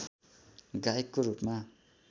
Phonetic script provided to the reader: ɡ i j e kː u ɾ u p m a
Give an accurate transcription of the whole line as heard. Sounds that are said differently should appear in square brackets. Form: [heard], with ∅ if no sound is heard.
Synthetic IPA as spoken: ɡ [a] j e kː [o] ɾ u p m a